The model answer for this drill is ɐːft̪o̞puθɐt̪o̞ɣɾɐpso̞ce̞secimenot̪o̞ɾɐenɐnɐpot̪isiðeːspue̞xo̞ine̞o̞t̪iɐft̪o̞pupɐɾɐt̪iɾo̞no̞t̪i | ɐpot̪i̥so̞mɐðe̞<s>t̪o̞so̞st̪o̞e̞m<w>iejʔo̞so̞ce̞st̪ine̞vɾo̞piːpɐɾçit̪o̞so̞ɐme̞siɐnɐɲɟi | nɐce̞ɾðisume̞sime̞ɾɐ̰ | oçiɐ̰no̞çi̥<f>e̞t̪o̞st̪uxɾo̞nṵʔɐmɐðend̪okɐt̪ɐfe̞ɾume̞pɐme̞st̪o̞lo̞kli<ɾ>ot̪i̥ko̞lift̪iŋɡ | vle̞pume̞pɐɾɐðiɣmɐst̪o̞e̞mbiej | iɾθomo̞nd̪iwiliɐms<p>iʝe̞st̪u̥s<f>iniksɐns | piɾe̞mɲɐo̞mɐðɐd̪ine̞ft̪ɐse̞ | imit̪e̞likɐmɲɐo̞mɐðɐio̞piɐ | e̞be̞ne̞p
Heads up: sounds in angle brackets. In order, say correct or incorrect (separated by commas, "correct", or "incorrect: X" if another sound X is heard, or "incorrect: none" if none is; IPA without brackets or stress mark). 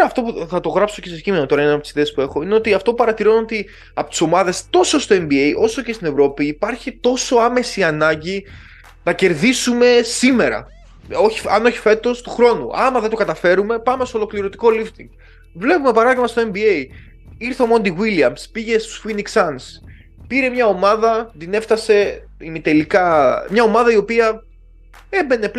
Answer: correct, incorrect: b, correct, correct, correct, correct